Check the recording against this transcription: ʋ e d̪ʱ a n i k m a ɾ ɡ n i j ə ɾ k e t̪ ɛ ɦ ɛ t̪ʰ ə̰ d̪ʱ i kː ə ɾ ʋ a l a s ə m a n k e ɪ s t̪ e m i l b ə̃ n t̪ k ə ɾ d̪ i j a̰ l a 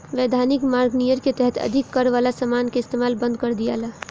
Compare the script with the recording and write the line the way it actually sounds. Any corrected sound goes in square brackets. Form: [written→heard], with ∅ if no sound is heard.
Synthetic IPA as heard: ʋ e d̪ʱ a n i k m a ɾ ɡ n i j ə ɾ k e t̪ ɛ ɦ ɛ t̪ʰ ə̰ d̪ʱ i kː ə ɾ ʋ a l a s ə m a n k e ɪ s t̪ e m [i→a] l b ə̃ n [t̪→d̪] k ə ɾ d̪ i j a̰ l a